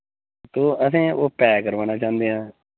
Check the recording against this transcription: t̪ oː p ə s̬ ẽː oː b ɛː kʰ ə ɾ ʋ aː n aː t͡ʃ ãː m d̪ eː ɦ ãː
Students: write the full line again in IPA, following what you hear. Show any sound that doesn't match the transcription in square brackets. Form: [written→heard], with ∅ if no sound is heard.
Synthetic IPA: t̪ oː [p→∅] ə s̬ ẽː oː [b→p] ɛː [kʰ→k] ə ɾ ʋ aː n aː t͡ʃ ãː [m→n] d̪ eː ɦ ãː